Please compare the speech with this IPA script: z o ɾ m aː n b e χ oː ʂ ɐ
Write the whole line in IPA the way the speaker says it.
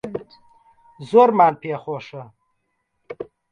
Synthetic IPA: z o ɾ m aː n p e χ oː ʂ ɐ

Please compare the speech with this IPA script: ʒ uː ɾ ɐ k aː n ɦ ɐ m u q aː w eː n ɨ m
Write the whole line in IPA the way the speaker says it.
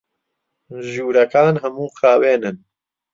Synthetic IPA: ʒ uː ɾ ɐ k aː n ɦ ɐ m uː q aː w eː n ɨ n

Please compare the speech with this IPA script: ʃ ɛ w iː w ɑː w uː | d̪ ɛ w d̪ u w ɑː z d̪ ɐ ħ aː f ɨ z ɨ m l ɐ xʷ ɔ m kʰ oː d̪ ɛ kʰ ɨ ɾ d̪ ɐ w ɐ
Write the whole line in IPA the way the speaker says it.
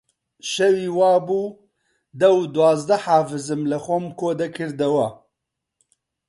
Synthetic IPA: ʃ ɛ w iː w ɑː b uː | d̪ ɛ w d̪ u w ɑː z d̪ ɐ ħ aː f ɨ z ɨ m l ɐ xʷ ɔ m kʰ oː d̪ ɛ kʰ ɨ ɾ d̪ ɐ w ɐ

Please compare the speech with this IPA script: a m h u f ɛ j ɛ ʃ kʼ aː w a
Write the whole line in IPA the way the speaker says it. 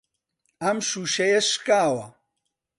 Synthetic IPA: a m ʃ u ʃ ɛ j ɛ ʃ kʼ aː w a

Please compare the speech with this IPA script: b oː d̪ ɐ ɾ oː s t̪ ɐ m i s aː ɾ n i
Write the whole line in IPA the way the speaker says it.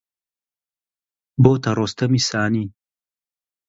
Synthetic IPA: b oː t̪ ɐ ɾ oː s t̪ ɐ m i s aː n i

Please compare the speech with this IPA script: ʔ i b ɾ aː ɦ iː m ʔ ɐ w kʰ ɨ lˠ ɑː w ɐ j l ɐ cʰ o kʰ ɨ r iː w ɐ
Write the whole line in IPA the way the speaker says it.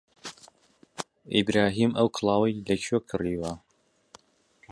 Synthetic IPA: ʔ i b ɾ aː ɦ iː m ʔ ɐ w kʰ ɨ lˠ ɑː w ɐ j l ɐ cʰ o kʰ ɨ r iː w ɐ

